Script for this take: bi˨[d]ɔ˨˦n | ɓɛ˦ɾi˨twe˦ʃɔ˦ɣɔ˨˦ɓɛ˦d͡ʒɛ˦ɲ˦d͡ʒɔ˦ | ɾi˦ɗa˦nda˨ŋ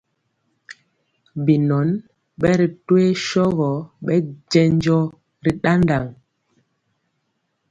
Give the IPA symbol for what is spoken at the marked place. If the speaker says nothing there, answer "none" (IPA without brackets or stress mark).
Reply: n